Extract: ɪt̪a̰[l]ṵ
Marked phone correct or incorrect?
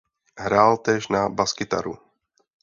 incorrect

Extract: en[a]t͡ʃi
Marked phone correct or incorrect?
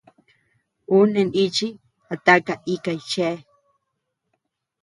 incorrect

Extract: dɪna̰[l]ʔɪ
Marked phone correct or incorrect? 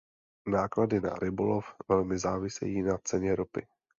incorrect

